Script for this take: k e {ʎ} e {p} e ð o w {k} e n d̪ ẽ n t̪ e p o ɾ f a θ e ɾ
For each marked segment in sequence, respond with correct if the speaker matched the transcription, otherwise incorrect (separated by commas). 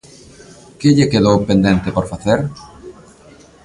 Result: correct, incorrect, incorrect